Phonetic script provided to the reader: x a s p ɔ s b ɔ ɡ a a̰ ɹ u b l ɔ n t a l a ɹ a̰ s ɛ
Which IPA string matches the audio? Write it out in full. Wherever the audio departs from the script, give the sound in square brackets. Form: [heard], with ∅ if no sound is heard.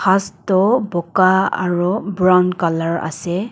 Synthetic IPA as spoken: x a s [t] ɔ [∅] b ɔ [k] a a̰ ɹ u b [ɹ] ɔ n [k] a l a ɹ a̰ s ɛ